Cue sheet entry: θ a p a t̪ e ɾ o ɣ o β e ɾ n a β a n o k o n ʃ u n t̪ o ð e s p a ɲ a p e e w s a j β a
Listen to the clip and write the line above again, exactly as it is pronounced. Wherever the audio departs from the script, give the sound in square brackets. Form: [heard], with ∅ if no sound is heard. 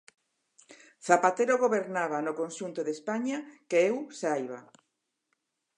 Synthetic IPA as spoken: θ a p a t̪ e ɾ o ɣ o β e ɾ n a β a n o k o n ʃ u n t̪ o ð e s p a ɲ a [k] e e w s a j β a